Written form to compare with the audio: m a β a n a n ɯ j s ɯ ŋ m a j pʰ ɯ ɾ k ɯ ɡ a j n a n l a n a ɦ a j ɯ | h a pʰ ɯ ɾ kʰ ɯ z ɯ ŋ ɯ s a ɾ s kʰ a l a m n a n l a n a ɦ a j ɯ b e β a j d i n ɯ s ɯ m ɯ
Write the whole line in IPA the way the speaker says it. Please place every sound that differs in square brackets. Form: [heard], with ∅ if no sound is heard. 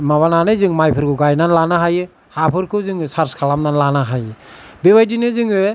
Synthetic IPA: m a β a n a n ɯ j [z] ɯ ŋ m a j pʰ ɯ ɾ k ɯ ɡ a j n a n l a n a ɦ a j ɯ | h a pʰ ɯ ɾ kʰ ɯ z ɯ ŋ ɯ s a ɾ s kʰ a l a m n a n l a n a ɦ a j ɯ b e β a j d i n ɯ [z] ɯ [ŋ] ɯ